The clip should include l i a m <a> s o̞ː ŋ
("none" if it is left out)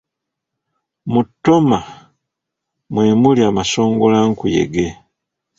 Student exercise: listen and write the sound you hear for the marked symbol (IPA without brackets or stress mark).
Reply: a